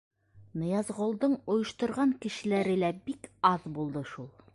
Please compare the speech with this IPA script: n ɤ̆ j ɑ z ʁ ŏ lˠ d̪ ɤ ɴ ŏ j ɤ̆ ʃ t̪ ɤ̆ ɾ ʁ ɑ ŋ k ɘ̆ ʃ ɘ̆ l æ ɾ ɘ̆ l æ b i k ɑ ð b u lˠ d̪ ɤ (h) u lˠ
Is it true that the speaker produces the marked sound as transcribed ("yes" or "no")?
no